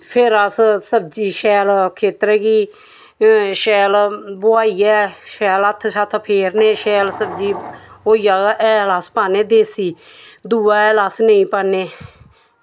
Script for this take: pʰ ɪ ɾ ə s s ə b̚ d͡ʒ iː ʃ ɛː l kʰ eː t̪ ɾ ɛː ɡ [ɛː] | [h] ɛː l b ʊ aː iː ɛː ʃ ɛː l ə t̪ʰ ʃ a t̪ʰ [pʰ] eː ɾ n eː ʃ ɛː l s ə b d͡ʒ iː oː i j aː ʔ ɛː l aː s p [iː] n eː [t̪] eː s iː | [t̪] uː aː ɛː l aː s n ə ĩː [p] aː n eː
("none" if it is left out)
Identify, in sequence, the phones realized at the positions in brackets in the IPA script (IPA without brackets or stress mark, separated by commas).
iː, ʃ, pʰ, aː, d̪, d̪, p